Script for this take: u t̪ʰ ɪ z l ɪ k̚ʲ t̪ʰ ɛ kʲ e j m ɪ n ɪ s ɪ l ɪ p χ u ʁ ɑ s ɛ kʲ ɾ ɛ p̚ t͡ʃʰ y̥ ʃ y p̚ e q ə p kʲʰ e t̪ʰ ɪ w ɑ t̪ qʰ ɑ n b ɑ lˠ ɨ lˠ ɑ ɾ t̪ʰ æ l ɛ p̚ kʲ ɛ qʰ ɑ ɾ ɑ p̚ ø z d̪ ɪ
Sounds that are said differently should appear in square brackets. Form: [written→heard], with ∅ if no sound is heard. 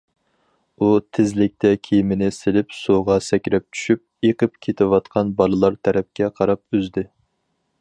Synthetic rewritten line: u t̪ʰ ɪ z l ɪ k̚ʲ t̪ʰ ɛ [kʲ→kʲʰ] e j m ɪ n ɪ s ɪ l ɪ p [χ→s] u ʁ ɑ s ɛ kʲ ɾ ɛ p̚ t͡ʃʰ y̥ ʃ y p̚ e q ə p kʲʰ e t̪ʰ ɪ w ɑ t̪ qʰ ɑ n b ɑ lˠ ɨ lˠ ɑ ɾ t̪ʰ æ [l→ɾ] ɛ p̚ kʲ ɛ qʰ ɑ ɾ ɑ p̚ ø z d̪ ɪ